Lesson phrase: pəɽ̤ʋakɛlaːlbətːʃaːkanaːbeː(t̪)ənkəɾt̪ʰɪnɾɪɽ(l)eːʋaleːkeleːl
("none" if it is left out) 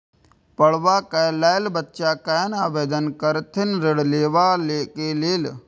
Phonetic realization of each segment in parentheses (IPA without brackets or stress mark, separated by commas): d̪, l